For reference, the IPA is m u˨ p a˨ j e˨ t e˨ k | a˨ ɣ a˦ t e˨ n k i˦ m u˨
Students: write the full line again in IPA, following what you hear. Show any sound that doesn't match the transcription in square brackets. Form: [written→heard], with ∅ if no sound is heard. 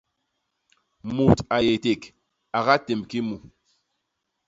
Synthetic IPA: m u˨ [p→t] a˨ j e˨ t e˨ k | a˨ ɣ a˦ t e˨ [n→m] k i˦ m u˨